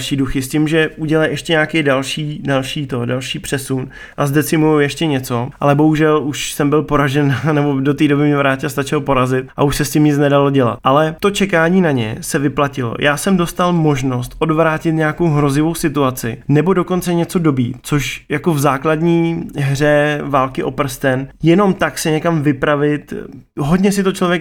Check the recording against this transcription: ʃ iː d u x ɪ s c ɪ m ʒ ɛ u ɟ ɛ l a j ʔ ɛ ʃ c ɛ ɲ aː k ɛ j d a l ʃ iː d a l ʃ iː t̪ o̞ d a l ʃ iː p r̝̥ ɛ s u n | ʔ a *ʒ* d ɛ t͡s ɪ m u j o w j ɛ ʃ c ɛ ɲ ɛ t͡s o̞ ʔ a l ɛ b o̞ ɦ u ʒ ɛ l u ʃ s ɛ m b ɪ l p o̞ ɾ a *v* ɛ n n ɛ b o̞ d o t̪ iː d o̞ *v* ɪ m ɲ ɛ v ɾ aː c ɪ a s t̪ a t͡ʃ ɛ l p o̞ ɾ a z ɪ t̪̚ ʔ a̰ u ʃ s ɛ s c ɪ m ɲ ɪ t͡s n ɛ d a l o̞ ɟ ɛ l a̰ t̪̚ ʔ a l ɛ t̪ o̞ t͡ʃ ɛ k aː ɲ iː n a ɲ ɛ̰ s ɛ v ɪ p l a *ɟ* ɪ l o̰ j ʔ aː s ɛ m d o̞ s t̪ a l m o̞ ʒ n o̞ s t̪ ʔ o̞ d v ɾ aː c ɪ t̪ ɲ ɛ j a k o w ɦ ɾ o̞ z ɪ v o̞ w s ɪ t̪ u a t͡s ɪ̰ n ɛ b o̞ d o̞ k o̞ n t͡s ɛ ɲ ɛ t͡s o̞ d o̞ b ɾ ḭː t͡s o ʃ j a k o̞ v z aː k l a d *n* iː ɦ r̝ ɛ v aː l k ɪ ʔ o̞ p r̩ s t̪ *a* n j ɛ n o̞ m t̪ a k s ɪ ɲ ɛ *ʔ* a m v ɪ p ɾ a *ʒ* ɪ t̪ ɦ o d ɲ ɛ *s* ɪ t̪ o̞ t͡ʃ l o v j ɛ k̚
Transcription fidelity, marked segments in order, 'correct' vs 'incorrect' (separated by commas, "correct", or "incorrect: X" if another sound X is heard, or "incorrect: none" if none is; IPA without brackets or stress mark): incorrect: z, incorrect: ʒ, incorrect: b, incorrect: c, incorrect: ɲ, incorrect: ɛ, incorrect: k, incorrect: v, correct